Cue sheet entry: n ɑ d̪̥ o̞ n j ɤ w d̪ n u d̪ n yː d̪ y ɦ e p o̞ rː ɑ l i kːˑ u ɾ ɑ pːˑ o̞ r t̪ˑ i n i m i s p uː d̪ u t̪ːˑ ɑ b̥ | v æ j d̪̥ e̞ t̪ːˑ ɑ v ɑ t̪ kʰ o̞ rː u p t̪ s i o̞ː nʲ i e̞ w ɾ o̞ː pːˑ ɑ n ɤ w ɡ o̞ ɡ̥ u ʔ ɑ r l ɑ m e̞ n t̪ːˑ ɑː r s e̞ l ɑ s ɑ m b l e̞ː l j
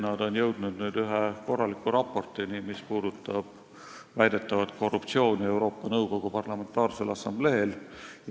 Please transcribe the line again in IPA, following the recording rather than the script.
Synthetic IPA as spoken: n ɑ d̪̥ o̞ n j ɤ w d̪ n u d̪ n yː d̪ y ɦ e k o̞ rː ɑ l i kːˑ u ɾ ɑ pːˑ o̞ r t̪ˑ i n i m i s p uː d̪ u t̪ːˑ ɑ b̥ | v æ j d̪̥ e̞ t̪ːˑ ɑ v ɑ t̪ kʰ o̞ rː u p t̪ s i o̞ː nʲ i e̞ w ɾ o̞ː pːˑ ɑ n ɤ w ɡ o̞ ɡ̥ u p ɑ r l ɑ m e̞ n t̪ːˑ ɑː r s e̞ l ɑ s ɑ m b l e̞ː l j